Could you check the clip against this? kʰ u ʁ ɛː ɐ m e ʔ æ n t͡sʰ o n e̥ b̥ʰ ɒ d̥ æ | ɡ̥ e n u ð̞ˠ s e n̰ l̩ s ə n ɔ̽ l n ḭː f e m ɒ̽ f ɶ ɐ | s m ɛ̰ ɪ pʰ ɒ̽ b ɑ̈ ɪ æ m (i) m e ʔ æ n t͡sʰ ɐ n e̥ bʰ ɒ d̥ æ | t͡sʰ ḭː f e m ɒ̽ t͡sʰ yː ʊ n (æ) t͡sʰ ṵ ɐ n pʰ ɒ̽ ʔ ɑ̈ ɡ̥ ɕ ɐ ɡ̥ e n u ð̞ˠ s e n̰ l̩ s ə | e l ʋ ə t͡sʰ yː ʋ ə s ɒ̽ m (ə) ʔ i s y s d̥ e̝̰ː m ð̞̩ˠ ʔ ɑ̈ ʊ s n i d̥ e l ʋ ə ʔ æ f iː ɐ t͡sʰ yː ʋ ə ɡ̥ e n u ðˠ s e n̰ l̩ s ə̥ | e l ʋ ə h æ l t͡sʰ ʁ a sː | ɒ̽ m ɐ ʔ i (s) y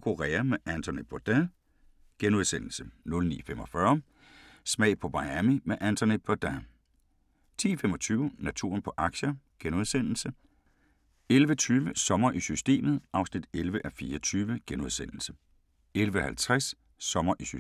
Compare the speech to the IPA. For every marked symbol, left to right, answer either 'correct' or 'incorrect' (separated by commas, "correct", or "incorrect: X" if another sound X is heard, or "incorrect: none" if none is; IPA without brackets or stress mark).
correct, correct, incorrect: ɐ, correct